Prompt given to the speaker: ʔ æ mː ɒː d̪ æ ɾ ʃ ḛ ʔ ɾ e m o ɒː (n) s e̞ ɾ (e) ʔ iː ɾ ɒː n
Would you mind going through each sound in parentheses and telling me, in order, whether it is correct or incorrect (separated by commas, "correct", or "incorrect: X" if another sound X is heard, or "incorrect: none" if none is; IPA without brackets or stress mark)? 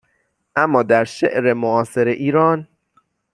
incorrect: none, correct